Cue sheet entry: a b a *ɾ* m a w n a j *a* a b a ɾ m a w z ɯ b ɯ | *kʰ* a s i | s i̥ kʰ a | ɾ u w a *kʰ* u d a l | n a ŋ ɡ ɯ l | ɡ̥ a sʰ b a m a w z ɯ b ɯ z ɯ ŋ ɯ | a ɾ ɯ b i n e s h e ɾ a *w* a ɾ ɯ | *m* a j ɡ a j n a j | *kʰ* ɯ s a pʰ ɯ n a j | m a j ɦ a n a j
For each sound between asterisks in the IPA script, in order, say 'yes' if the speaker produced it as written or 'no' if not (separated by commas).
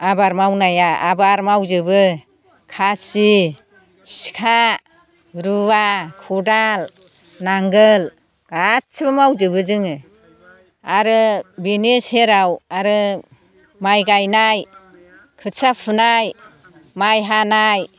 yes, yes, yes, yes, yes, yes, yes